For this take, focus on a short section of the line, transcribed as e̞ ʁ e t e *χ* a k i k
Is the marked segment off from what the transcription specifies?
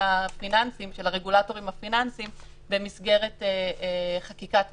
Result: no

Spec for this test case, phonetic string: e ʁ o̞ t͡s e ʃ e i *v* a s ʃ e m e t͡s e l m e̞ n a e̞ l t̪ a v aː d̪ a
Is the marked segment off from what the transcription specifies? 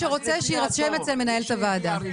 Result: yes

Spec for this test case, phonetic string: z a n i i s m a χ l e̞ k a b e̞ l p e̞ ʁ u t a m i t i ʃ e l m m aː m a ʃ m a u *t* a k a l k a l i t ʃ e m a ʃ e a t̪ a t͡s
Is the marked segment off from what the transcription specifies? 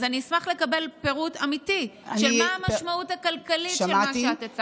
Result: no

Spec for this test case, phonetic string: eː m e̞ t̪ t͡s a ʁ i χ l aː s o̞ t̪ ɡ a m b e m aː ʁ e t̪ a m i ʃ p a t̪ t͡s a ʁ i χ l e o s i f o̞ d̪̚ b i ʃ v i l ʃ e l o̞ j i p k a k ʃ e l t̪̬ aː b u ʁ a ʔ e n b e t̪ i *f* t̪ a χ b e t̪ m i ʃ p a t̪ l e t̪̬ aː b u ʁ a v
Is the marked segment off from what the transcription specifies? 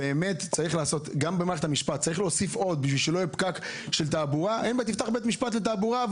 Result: no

